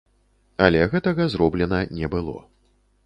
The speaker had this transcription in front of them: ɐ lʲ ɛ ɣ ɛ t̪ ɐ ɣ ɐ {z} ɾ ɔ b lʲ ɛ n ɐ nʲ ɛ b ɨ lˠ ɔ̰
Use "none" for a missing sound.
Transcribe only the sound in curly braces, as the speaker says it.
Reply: z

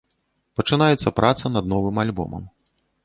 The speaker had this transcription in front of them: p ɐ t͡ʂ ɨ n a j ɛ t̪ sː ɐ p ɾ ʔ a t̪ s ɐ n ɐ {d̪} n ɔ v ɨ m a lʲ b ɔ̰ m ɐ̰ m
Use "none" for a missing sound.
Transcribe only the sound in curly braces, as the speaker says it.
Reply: d̪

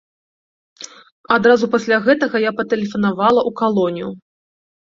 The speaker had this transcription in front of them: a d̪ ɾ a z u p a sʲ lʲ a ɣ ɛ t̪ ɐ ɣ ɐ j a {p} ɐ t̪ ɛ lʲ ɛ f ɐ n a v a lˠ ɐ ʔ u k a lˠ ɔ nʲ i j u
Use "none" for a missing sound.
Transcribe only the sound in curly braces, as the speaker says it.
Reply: p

